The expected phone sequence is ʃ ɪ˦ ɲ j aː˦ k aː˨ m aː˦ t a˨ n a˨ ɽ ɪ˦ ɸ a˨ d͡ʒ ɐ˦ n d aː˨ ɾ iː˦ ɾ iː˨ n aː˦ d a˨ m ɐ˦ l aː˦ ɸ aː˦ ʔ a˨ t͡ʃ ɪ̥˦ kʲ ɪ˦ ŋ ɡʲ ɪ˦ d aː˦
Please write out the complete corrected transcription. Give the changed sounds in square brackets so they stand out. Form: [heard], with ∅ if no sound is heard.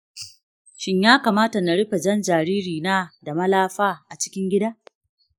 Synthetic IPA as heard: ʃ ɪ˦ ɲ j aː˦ k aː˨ m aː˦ t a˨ n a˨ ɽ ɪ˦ ɸ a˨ d͡ʒ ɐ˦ n [d͡ʒ] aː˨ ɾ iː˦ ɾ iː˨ n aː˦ d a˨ m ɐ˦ l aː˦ ɸ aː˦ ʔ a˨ t͡ʃ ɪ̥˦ kʲ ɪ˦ ŋ ɡʲ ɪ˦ d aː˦